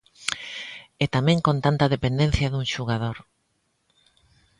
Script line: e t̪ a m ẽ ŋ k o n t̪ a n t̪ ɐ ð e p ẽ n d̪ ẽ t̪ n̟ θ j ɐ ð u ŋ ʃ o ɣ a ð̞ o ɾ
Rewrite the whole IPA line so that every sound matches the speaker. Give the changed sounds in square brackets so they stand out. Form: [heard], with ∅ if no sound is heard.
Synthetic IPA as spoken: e t̪ a m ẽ ŋ k o n t̪ a n t̪ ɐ ð e p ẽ n d̪ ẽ [∅] n̟ θ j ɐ ð u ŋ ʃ [u] ɣ a ð̞ o ɾ